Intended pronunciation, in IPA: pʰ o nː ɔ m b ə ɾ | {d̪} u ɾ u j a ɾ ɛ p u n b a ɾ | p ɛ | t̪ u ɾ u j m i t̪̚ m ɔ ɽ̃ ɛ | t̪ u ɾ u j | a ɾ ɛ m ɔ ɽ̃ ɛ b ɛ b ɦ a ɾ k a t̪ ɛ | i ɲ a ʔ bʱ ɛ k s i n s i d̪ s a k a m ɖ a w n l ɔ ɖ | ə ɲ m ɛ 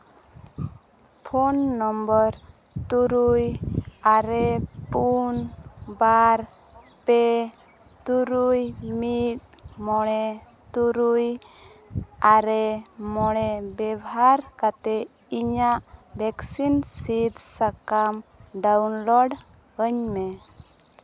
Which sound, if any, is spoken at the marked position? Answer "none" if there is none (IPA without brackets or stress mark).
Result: t̪